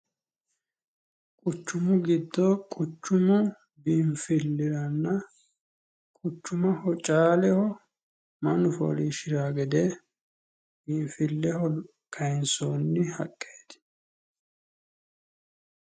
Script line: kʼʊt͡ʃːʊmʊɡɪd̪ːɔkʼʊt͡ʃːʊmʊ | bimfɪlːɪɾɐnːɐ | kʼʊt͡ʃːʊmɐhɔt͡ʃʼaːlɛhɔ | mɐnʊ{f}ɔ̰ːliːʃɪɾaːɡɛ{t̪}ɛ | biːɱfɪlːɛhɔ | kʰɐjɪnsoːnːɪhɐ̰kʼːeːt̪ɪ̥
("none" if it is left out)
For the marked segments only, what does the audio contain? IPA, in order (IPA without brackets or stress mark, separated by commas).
f, d̪